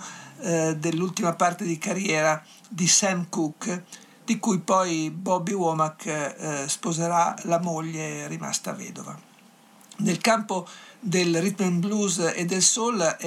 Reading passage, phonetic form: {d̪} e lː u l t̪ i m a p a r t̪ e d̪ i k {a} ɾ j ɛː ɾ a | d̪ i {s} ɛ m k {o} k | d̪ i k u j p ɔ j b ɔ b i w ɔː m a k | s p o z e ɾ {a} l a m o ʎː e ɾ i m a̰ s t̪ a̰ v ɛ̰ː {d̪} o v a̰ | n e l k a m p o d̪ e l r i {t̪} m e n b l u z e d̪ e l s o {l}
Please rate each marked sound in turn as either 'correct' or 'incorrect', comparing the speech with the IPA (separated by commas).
correct, correct, correct, incorrect, correct, correct, correct, correct